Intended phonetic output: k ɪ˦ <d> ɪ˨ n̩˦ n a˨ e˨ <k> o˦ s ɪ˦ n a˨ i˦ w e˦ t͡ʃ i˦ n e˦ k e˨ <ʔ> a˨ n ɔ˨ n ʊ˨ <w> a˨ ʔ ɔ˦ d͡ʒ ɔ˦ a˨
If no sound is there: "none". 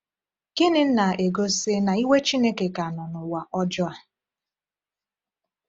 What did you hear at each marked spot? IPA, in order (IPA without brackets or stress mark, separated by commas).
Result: n, ɡ, k, w